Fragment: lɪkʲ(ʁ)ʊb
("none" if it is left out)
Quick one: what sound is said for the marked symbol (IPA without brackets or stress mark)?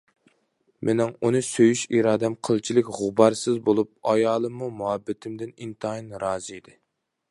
ʁ